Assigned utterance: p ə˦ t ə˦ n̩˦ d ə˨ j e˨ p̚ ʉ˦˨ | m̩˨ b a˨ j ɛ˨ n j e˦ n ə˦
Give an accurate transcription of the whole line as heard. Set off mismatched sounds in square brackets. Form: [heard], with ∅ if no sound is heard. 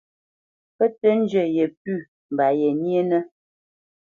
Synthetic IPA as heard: p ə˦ t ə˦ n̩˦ [d͡ʒ] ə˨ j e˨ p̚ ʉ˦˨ | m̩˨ b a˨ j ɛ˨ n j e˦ n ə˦